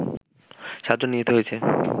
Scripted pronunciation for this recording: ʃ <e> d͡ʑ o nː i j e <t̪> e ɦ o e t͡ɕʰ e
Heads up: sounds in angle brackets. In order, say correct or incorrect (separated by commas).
incorrect, correct